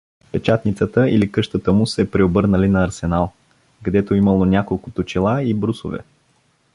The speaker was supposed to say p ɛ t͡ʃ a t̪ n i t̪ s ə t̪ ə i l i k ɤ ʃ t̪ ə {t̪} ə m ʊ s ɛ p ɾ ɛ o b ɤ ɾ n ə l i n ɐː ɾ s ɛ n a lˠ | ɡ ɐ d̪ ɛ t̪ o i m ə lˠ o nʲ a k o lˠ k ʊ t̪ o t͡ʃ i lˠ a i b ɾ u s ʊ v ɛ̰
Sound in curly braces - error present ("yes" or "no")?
no